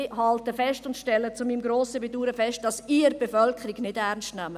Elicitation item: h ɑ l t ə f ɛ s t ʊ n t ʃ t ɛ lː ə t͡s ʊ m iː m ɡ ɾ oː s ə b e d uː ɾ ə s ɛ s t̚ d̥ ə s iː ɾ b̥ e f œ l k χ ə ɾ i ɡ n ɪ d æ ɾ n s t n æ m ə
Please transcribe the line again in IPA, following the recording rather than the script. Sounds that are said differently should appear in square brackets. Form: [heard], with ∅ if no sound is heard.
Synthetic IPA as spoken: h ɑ l t ə f ɛ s t ʊ n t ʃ t ɛ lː ə t͡s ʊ m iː m ɡ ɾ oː s ə b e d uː ɾ ə [f] ɛ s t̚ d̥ [ɑ] s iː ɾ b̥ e f œ l k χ ə ɾ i ɡ n ɪ d æ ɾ n s t n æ m ə